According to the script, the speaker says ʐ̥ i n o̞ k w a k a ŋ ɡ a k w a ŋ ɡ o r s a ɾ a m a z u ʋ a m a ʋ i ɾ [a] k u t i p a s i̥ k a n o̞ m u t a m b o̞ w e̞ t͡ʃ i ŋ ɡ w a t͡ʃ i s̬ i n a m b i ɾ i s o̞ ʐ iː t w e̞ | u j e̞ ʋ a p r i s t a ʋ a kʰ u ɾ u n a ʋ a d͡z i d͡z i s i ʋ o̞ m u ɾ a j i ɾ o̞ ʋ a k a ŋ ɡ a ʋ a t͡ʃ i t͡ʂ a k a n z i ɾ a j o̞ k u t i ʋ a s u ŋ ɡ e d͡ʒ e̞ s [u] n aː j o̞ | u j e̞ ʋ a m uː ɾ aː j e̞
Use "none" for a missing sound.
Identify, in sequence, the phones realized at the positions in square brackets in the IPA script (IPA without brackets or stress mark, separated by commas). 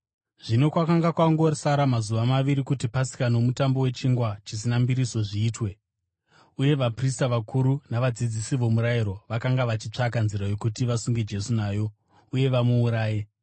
i, u